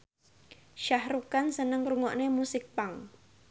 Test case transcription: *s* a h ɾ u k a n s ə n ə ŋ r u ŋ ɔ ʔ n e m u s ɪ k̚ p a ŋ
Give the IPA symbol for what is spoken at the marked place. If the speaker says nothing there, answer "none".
ʃ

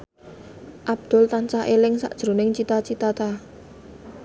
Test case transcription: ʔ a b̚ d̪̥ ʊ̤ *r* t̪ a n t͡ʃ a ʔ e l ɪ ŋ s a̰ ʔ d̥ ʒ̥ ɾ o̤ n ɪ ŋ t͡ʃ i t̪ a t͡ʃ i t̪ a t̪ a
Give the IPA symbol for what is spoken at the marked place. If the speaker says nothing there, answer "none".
l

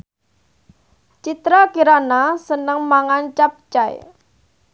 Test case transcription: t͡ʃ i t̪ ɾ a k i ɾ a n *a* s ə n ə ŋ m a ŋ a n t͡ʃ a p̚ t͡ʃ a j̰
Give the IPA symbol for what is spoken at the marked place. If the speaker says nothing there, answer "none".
a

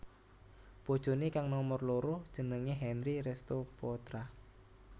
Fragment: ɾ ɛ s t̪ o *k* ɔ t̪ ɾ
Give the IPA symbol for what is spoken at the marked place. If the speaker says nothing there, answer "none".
p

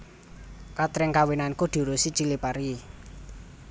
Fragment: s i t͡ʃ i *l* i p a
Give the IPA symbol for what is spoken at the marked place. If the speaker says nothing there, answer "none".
l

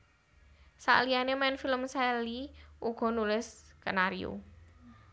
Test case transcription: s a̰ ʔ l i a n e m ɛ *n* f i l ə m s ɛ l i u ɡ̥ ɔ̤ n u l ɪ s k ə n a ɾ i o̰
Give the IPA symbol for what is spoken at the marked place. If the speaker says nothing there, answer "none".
n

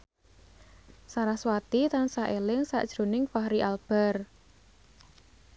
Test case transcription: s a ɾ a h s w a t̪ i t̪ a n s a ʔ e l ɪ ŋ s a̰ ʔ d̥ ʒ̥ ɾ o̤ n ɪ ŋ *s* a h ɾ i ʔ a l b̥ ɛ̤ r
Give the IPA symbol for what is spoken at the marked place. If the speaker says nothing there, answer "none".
f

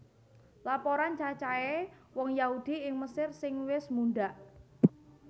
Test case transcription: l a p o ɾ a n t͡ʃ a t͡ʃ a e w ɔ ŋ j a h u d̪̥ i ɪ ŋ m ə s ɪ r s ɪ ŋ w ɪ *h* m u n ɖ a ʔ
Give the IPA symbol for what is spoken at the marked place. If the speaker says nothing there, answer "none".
s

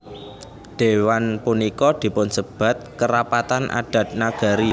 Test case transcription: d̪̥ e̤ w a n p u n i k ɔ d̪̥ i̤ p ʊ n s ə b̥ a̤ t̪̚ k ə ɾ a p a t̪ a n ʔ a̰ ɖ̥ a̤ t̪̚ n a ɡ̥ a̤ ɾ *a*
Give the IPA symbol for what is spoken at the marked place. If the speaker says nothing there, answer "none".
i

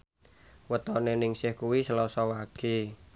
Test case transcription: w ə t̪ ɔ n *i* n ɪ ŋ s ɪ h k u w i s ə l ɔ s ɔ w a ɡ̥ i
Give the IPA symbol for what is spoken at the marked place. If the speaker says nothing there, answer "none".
e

